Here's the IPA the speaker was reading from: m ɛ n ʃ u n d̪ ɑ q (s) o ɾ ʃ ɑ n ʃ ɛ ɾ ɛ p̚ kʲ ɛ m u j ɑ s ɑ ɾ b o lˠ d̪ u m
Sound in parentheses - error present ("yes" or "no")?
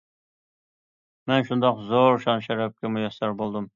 yes